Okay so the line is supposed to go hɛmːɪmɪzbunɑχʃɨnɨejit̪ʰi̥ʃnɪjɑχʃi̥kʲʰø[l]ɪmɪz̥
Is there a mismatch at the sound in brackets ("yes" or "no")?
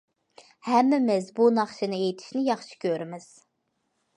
yes